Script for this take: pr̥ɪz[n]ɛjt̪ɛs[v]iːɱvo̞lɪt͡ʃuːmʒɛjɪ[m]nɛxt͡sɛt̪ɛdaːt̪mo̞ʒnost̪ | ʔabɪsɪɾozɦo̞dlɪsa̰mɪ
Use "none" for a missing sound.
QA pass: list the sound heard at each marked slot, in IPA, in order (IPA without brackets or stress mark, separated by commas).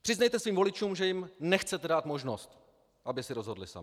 n, v, m